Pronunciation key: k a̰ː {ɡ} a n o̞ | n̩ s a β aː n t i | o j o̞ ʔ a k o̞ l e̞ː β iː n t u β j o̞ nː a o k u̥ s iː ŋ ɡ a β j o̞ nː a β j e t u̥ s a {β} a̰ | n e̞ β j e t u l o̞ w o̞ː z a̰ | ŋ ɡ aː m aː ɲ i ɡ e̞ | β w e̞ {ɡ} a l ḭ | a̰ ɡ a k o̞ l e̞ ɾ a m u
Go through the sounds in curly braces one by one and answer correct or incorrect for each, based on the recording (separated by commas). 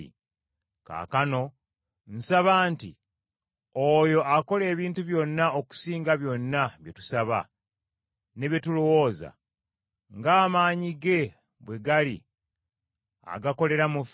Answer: incorrect, correct, correct